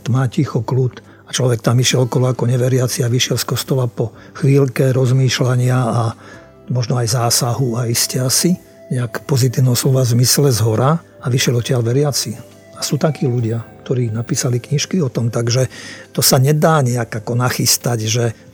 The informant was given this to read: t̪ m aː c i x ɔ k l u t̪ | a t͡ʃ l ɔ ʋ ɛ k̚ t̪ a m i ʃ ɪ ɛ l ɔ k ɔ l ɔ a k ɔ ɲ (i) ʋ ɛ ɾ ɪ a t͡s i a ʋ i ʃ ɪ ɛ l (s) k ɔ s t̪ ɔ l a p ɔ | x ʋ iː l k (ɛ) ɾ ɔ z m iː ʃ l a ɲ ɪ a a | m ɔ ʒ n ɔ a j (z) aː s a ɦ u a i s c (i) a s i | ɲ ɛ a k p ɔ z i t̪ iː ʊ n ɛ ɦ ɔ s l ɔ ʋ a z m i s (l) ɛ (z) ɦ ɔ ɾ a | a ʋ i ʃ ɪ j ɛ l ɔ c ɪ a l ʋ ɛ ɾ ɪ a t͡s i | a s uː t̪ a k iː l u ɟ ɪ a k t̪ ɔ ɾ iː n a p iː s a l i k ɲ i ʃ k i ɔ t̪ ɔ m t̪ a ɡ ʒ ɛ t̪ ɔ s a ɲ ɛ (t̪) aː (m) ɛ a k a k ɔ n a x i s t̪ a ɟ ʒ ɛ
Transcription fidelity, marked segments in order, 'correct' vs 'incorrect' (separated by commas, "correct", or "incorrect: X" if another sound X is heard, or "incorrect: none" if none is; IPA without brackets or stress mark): incorrect: ɛ, correct, correct, correct, incorrect: ɛ, correct, correct, incorrect: d̪, incorrect: ɲ